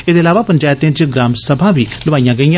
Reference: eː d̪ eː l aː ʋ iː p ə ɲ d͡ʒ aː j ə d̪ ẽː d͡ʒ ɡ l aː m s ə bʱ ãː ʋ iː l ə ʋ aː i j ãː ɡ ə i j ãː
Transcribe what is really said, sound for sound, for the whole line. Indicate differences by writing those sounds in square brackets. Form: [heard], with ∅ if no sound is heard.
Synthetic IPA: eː d̪ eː l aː ʋ [aː] p ə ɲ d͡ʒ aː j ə [t̪] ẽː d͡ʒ ɡ [ɾ] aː m s ə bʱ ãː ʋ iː l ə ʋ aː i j ãː ɡ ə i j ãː